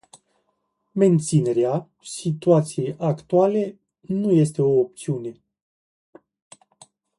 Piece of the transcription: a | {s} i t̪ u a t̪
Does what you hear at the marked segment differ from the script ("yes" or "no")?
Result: no